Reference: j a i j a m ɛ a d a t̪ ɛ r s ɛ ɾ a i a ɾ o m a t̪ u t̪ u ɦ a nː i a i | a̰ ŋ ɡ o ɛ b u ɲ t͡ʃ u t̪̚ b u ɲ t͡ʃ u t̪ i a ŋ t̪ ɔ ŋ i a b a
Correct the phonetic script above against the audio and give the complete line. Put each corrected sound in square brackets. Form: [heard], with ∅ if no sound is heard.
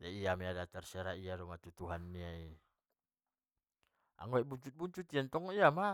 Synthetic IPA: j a i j a m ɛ a d a t̪ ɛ r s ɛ ɾ a i a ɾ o m a t̪ u t̪ u ɦ a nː i a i | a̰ ŋ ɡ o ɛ b u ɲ t͡ʃ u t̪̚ b u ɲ t͡ʃ u t̪ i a [n] t̪ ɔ ŋ i a [m] a